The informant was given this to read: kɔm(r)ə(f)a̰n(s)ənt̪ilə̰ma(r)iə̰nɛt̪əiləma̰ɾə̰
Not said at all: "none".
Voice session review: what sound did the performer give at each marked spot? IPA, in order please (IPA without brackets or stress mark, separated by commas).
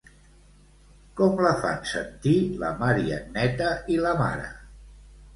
l, f, s, ɾ